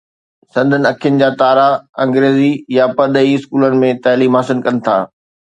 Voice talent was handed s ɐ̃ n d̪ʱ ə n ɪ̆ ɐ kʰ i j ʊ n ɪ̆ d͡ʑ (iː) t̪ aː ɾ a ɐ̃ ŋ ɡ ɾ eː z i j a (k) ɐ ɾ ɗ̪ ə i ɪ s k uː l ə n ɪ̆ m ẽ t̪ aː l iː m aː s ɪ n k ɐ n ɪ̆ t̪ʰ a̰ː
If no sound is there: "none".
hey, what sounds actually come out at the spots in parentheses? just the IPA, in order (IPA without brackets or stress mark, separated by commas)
aː, p